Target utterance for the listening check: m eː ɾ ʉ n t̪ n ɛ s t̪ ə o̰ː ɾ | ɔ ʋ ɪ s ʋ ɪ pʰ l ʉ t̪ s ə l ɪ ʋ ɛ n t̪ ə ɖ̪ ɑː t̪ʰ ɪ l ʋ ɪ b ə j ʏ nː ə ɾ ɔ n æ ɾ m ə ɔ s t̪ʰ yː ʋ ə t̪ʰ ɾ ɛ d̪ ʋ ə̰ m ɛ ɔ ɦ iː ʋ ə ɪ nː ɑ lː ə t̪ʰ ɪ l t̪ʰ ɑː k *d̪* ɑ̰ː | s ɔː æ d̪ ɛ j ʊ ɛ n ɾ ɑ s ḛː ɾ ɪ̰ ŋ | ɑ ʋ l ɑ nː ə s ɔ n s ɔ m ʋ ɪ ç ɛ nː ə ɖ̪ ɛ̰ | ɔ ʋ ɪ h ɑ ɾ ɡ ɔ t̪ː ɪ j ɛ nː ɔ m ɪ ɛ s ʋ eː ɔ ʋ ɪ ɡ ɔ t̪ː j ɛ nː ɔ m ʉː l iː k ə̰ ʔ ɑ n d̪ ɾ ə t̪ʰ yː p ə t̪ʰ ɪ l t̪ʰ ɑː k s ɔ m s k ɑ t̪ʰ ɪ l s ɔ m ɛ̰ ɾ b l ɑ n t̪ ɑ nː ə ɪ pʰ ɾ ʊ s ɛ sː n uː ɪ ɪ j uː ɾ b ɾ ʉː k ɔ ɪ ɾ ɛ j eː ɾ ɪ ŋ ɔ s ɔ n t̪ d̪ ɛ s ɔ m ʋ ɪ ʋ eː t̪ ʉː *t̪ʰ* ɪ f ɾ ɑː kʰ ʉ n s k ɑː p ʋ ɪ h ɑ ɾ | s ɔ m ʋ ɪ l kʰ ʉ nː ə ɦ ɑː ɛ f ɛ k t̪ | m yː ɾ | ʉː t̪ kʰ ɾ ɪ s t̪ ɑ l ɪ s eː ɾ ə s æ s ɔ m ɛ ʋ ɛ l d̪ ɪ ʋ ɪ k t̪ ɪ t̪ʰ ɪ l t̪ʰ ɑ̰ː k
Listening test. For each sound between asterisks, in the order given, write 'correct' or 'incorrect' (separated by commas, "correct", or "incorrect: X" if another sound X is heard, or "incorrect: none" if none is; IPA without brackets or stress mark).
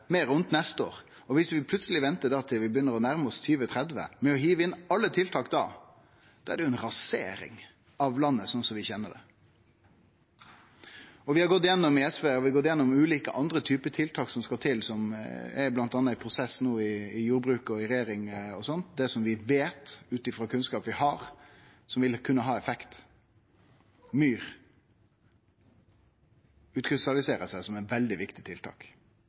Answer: correct, incorrect: t̪